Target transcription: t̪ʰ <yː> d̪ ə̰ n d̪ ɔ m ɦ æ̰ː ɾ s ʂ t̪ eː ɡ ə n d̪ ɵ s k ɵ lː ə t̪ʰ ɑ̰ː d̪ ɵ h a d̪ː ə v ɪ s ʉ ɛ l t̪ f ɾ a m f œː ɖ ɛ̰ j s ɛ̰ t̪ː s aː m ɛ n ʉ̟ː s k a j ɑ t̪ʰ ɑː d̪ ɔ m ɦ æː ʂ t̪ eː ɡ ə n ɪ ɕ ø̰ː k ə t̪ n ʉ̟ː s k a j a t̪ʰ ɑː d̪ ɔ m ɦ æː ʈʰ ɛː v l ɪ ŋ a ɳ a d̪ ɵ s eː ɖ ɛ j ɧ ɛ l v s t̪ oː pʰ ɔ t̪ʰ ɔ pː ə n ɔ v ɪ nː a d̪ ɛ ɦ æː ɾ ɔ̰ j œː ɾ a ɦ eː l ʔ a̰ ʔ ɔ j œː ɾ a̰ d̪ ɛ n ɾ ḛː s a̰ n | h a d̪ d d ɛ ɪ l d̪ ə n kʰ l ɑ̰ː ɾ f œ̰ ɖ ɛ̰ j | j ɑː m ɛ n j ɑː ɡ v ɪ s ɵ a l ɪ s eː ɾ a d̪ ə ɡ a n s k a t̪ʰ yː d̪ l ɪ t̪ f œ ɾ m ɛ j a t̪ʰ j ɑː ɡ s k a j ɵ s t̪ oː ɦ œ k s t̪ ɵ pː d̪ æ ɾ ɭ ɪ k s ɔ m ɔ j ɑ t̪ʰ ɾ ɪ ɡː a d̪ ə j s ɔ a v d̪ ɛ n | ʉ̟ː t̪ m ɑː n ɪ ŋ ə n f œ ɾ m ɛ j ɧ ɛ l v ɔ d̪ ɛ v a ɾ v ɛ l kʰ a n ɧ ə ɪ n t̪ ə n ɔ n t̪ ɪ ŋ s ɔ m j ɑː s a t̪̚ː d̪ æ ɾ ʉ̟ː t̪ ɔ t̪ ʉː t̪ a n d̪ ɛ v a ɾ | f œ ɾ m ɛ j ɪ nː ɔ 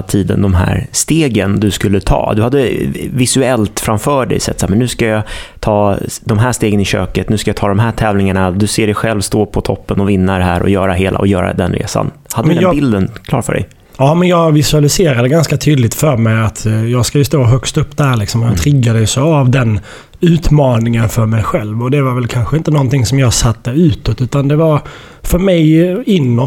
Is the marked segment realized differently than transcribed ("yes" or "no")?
yes